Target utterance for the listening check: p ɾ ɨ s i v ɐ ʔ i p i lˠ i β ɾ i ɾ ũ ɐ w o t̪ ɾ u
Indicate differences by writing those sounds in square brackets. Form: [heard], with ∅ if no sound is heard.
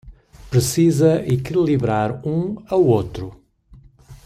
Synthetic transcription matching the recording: p ɾ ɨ s i [z] ɐ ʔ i [k] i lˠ i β ɾ [a] ɾ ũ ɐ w o t̪ ɾ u